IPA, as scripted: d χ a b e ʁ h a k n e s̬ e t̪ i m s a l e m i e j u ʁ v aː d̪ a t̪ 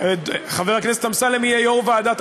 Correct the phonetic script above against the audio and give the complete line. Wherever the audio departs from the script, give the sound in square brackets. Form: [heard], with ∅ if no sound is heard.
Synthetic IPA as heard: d χ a [v] e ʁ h a k n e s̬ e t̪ [a] m s a l e m i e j [o] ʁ v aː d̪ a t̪